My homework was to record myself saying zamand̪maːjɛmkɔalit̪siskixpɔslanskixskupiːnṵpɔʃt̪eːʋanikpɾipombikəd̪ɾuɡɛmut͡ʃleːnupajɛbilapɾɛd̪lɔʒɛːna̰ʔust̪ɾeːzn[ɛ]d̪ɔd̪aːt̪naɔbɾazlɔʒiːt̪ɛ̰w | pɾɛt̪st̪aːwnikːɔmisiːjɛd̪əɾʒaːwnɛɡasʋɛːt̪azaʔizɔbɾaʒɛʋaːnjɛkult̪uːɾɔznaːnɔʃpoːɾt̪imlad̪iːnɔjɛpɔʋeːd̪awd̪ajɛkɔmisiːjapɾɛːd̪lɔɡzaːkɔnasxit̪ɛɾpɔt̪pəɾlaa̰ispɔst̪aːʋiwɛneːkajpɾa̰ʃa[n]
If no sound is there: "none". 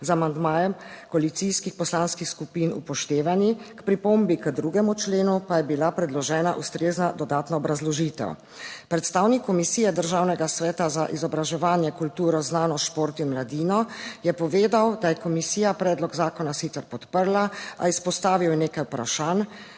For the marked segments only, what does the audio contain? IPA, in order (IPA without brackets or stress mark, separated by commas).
a, n